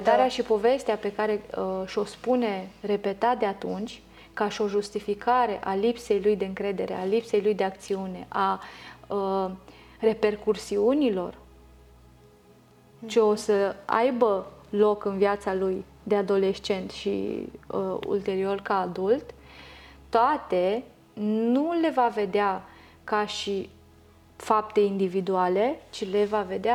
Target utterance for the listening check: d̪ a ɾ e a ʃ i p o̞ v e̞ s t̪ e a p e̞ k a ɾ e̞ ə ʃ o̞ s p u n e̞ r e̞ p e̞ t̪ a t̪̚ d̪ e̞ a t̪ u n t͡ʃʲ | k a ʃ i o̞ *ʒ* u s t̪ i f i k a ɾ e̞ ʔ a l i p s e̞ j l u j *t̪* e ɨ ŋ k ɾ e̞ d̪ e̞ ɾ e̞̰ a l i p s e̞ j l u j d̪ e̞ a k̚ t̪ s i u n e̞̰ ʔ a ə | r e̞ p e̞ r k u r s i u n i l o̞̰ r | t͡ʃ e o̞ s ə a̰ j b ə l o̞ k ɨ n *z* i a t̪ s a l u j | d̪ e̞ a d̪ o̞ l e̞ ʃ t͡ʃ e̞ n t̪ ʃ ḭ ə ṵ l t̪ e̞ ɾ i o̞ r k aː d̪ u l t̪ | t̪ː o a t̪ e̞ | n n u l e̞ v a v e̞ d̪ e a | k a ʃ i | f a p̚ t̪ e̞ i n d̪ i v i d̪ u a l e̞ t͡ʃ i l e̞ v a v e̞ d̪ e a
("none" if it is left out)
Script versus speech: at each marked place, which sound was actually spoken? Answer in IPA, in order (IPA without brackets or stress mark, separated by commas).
ʒ, d̪, v